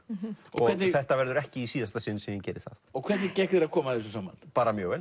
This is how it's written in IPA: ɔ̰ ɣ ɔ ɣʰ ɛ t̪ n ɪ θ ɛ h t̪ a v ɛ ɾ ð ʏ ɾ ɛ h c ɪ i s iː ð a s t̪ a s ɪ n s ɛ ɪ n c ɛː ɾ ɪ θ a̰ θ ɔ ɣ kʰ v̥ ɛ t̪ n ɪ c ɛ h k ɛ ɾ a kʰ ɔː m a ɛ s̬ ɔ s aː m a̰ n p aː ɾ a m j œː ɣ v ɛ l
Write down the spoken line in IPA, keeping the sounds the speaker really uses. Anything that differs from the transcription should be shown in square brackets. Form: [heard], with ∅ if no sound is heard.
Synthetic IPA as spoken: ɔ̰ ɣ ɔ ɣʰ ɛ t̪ n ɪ θ ɛ h t̪ a v ɛ ɾ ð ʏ ɾ ɛ h c ɪ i s iː ð a s t̪ a s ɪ n s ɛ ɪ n c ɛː ɾ ɪ θ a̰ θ ɔ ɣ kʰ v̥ ɛ t̪ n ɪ c ɛ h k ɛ ɾ a kʰ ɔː m a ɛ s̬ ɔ s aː m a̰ n p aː ɾ a m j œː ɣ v ɛ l